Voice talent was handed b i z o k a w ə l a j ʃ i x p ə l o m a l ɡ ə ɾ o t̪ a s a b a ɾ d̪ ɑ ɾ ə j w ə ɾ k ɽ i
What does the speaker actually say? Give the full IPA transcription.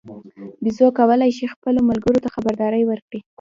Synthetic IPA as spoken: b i z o k a w ə l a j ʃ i x p ə l o m a l ɡ ə ɾ o t̪ a x a b a ɾ d̪ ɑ ɾ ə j w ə ɾ k ɽ i